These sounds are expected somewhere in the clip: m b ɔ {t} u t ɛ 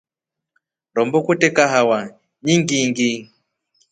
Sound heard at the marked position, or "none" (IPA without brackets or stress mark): k